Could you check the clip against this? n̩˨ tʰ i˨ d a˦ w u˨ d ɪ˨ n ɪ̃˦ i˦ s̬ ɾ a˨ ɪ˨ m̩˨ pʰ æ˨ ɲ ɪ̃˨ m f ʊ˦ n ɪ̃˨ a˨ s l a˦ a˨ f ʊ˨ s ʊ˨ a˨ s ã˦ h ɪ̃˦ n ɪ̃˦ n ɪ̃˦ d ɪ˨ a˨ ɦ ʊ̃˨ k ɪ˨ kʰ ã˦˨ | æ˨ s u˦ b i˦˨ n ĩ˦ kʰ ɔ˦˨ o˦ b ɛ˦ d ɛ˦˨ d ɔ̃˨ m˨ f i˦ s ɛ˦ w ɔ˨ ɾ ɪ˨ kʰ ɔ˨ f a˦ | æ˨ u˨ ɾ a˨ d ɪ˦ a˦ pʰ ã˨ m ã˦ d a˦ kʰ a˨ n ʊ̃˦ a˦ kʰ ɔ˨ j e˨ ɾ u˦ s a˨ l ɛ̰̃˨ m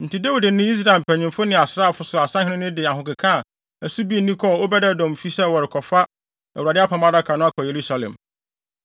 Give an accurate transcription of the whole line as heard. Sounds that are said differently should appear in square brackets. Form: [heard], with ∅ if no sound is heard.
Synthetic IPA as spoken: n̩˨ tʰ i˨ d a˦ w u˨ d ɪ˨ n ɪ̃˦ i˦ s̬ ɾ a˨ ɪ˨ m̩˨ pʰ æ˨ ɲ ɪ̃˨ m f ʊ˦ n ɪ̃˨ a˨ s [ɾ] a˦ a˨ f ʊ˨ s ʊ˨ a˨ s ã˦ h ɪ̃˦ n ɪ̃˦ n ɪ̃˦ d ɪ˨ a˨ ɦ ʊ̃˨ k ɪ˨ kʰ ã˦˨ | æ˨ s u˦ b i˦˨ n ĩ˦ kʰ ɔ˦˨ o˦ b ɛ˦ d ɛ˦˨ d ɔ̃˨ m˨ f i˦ s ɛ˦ w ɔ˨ ɾ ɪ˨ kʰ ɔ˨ f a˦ | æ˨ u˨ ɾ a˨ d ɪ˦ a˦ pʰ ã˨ m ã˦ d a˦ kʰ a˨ n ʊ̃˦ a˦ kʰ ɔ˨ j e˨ ɾ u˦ s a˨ l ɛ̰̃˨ m

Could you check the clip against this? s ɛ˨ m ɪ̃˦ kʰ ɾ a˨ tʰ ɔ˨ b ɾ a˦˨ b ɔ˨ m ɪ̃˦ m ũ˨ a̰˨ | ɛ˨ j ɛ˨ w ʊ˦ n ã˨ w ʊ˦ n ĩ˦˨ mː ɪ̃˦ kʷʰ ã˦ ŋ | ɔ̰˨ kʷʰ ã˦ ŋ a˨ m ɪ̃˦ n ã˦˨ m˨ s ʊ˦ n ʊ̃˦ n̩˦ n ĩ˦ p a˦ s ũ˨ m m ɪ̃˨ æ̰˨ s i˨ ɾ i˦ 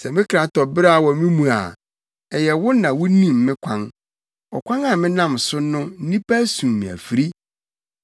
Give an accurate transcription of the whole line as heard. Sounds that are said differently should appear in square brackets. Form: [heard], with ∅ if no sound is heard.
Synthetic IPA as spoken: s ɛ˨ m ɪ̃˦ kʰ ɾ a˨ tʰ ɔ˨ b ɾ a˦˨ [w] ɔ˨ m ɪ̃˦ m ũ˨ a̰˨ | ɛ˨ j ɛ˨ w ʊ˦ n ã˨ w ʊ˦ n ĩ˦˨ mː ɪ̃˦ kʷʰ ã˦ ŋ | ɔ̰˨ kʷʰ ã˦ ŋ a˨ m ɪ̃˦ n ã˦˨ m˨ s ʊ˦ n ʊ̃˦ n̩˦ n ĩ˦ p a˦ s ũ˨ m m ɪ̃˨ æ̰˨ [f] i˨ ɾ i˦

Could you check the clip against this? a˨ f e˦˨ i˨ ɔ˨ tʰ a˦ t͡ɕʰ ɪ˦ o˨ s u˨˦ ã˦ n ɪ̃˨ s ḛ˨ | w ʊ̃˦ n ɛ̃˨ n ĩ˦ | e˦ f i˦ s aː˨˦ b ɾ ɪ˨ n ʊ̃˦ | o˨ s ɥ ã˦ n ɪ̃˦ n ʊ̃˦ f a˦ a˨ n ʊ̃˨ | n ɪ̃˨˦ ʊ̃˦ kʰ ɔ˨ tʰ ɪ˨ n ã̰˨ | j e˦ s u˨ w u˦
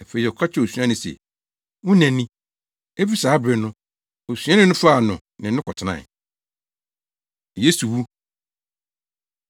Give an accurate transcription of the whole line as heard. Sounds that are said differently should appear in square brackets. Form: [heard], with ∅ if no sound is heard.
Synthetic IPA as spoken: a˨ f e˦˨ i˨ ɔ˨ [kʰ] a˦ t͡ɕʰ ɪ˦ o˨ s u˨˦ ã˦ n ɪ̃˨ s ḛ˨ | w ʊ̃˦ n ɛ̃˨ n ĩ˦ | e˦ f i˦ s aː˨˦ b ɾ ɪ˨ n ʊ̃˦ | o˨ s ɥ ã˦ n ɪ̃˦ n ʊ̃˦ f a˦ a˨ n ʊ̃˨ | n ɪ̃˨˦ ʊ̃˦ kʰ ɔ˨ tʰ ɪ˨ n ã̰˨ | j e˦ s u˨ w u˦

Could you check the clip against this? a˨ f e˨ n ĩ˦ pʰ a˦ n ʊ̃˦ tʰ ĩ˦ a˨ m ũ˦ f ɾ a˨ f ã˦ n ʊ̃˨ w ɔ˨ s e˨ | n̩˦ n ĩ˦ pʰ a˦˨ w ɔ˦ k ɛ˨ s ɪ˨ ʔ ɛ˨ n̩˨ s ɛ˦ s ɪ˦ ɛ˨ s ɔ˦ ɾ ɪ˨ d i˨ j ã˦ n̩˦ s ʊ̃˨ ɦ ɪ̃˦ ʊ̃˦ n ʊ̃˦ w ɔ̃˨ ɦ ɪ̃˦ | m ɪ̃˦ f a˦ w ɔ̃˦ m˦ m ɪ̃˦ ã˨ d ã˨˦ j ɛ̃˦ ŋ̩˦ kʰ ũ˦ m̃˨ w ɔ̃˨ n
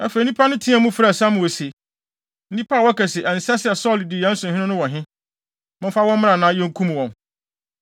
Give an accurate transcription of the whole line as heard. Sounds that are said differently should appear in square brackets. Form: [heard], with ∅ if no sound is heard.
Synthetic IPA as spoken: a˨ f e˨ n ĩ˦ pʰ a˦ n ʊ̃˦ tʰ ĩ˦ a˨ m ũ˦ f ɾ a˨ [s] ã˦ [m] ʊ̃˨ w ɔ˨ s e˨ | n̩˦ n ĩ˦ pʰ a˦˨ w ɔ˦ k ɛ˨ s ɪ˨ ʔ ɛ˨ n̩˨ s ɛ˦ s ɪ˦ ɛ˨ s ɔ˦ [l] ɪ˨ d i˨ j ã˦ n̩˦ s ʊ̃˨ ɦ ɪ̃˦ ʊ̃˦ n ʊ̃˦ w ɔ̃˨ ɦ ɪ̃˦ | m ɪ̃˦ f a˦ w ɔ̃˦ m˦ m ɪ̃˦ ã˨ [n] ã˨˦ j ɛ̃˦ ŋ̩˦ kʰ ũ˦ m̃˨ w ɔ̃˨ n

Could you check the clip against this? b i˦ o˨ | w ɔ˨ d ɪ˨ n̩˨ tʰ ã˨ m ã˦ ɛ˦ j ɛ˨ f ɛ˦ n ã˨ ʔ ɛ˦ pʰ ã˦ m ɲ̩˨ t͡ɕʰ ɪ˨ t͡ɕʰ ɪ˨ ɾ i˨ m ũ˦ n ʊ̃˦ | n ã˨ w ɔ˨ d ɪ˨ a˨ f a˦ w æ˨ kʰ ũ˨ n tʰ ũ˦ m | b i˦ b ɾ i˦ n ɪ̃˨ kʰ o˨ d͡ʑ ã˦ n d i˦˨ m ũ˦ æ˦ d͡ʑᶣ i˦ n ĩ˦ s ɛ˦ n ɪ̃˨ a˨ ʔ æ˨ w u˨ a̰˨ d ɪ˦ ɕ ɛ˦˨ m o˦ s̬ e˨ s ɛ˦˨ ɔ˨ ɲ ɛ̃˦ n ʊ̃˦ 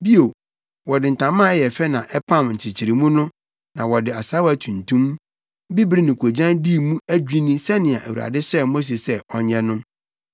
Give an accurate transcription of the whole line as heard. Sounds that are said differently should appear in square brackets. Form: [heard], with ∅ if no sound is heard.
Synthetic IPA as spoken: b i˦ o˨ | w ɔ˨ d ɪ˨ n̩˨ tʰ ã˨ m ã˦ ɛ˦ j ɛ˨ f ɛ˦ n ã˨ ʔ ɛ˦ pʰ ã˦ m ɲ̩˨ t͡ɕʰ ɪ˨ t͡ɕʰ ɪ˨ ɾ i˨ m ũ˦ n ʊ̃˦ | n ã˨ w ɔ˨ d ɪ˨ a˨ [s] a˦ w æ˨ [tʰ] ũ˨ n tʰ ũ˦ m | b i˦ b ɾ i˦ n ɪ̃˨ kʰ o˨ d͡ʑ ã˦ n d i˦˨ m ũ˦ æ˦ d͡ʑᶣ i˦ n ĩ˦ s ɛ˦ n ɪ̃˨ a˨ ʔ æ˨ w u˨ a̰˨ d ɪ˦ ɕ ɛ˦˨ m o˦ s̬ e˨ s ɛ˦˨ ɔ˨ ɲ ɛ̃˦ n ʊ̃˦

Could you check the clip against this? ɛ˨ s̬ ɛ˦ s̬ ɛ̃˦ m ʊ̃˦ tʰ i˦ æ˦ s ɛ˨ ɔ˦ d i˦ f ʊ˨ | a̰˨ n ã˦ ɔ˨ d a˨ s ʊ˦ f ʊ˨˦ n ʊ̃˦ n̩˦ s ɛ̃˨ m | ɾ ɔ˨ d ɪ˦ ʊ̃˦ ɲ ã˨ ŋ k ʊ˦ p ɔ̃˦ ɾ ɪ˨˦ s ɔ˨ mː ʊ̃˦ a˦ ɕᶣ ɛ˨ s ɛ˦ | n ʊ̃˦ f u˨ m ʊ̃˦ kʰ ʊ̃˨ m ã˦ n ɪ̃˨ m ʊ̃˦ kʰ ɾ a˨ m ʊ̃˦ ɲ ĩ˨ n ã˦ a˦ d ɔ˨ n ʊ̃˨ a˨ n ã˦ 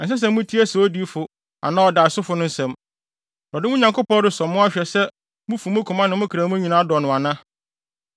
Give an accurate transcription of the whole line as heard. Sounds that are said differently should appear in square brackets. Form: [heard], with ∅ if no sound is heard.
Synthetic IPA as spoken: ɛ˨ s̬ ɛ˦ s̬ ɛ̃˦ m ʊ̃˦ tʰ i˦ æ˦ s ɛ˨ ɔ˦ d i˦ f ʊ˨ | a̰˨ n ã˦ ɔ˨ d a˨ s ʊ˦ f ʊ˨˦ n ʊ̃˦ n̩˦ s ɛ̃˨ m | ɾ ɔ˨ d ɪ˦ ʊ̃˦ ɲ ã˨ ŋ k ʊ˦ p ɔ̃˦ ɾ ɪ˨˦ s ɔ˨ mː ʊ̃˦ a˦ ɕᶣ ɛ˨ s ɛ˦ | [m] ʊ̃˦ f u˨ m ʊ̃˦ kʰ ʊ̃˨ m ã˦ n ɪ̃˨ m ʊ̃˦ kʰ ɾ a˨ m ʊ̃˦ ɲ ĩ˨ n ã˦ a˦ d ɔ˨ n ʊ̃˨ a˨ n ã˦

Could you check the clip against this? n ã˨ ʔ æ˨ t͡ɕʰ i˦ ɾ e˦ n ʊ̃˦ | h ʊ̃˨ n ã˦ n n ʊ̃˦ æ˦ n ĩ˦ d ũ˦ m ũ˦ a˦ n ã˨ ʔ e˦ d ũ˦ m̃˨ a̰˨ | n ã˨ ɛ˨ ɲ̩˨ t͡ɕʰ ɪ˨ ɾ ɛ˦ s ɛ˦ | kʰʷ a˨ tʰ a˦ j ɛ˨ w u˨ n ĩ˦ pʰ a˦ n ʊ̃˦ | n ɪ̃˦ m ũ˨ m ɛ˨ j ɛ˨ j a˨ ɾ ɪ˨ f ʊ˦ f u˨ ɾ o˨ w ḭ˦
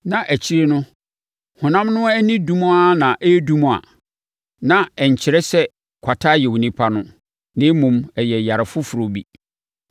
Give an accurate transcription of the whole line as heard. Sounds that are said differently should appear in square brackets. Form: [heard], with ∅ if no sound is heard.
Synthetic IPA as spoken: n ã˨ ʔ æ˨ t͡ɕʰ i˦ ɾ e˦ n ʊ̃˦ | h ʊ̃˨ n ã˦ [m] n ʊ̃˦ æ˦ n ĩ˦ d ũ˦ m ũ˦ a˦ n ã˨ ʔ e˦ d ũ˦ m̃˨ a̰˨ | n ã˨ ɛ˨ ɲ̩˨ t͡ɕʰ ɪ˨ ɾ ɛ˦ s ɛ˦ | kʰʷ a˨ tʰ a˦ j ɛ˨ w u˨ n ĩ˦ pʰ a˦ n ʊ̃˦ | n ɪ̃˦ m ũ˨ m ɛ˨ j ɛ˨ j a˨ ɾ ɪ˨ f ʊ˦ f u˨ ɾ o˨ [b] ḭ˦

